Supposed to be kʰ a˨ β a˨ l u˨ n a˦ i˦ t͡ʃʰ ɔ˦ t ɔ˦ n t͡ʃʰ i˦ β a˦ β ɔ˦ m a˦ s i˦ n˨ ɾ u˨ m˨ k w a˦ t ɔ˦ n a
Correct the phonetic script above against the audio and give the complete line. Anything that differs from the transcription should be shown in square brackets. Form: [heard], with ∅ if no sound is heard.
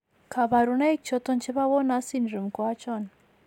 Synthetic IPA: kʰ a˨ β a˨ [ɾ] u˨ n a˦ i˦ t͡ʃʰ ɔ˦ t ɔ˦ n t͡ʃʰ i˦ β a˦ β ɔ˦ [n] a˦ s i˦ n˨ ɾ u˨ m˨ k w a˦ [t͡ʃ] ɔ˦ n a